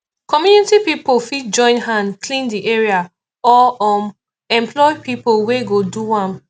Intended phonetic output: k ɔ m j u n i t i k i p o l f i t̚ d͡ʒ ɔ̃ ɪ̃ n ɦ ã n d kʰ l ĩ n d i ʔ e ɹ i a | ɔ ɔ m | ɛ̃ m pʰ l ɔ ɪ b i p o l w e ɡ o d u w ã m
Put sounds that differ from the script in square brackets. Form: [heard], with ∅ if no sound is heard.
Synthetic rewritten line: k ɔ m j u n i t i [p] i p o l f i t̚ d͡ʒ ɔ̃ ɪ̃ n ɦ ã n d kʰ l ĩ n d i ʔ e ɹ i a | ɔ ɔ m | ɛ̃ m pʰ l ɔ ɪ [p] i p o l w e ɡ o d u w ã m